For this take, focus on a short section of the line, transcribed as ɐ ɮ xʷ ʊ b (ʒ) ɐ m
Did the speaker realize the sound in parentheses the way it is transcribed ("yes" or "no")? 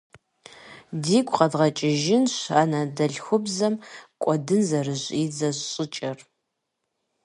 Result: no